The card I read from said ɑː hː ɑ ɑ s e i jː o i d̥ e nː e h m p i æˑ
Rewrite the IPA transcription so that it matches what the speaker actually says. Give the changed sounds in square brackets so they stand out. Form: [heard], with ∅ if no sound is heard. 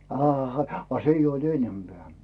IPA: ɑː [h] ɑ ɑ s e i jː o i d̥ e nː e [∅] m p [e] æˑ

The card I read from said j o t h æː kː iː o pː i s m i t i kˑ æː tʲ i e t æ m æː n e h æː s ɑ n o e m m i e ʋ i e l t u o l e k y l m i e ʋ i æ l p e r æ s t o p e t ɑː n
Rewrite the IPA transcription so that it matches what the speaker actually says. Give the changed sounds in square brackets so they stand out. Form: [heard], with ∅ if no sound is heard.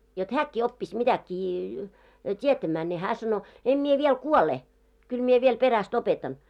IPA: j o t h æː kː iː o pː i s m i t [æ] kˑ [iː] tʲ i e t æ m æː n e h æː s ɑ n o e m m i e ʋ i e l [k] u o l e k y l m i e ʋ i [e] l p e r æ s t o p e t [ɑ] n

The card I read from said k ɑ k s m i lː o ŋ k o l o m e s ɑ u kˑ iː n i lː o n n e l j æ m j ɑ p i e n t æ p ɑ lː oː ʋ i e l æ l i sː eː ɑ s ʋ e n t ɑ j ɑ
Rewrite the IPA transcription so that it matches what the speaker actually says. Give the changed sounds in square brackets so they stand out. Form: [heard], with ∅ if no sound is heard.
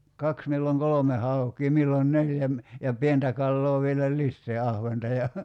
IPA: k ɑ k s m i lː o ŋ k o l o m e [h] ɑ u kˑ iː [m] i lː o n n e l j æ m j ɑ p i e n t æ [k] ɑ lː oː ʋ i e l æ l i sː eː ɑ [h] ʋ e n t ɑ j ɑ

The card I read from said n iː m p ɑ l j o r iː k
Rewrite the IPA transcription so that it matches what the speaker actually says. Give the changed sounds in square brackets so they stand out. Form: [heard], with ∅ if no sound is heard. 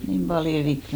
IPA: n iː m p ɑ l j o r [i] k

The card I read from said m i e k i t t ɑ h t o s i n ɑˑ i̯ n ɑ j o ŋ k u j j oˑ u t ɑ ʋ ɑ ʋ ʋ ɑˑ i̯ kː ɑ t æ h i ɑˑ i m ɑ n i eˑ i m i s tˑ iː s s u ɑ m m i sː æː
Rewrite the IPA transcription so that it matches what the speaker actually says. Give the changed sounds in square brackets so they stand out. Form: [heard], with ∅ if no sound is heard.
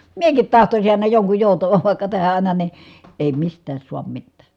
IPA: m i e k i t t ɑ h t o s i n ɑˑ i̯ n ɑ j o ŋ k u j j oˑ u t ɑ ʋ ɑ ʋ ʋ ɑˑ i̯ kː ɑ t æ h [æ] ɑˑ i [n] ɑ n i eˑ i m i s tˑ [æː] s s u ɑ m m i [tː] æː

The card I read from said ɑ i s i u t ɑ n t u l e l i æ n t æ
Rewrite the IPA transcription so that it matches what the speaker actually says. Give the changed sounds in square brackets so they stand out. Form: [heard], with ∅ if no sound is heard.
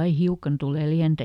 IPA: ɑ i [h] i u [k] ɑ n t u l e l i æ n t æ

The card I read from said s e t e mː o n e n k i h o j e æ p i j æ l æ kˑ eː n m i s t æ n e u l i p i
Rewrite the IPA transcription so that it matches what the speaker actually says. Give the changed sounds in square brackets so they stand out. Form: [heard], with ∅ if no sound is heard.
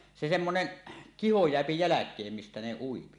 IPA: s e [s] e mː o n e n k i h o j e æ p i j æ l æ kˑ eː [m] m i s t æ n e u [∅] i p i

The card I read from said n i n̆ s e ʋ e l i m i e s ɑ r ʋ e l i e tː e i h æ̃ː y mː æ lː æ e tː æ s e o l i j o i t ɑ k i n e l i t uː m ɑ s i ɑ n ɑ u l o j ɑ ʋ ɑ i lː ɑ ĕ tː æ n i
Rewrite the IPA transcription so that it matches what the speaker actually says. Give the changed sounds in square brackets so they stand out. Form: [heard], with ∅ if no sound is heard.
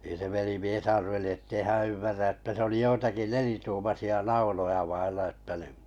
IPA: n i n̆ s e ʋ e l i m i e s ɑ r ʋ e l i e tː e i h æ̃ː y mː æ [rː] æ e tː æ s e o l i j o i t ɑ k i n e l i t uː m ɑ s i ɑ n ɑ u l o j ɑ ʋ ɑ i lː ɑ ĕ tː æ n i

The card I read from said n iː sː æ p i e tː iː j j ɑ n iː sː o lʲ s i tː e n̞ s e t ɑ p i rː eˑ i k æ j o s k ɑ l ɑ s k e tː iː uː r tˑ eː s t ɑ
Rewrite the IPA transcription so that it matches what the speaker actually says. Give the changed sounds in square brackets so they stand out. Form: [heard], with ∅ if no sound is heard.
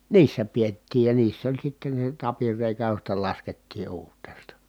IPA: n iː sː æ p i e tː iː j j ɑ n iː sː o lʲ s i tː e n̞ s e t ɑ p i rː eˑ i k æ j o s [t] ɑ l ɑ s k e tː iː uː r tˑ eː s t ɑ

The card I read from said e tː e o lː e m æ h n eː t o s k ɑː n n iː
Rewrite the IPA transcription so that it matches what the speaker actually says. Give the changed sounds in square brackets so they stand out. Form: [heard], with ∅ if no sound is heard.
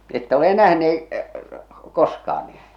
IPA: e tː [æ] o [l] e [n] æ h n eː [k] o s k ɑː n n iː

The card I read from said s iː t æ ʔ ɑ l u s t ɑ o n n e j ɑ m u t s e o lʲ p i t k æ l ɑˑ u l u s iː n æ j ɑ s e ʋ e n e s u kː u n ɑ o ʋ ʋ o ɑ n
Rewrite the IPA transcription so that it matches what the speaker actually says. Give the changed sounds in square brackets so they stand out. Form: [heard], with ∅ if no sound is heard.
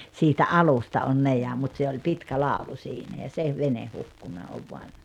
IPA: s iː t æ ʔ ɑ l u s t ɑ o n n e j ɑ m u t s e o lʲ p i t k æ l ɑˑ u l u s iː n æ j ɑ s e ʋ e n e [h] u kː u n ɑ o ʋ ʋ o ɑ n

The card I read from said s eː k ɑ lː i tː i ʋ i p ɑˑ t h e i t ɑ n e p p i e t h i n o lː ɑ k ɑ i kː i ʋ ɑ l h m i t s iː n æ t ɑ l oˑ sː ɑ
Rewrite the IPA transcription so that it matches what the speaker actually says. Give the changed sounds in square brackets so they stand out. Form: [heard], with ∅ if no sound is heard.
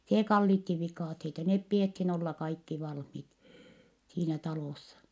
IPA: s eː k ɑ lː i tː i ʋ i [k] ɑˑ t h e i t ɑ n e p p i e t h i n o lː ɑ k ɑ i kː i ʋ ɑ l h m i t s iː n æ t ɑ l oˑ sː ɑ

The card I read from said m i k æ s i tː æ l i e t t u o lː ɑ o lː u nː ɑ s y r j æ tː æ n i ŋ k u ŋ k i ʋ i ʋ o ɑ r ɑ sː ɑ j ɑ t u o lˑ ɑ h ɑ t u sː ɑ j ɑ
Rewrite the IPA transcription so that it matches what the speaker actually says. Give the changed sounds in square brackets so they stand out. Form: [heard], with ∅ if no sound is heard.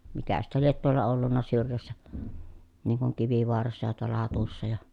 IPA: m i k æ s i tː æ l i e t t u o lː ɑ o lː u nː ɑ s y r j æ [sː] æ n i ŋ k u ŋ k i ʋ i ʋ o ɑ r ɑ sː ɑ j ɑ t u o lˑ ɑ h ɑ t u sː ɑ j ɑ

